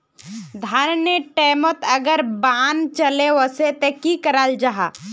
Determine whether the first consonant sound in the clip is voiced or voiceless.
voiced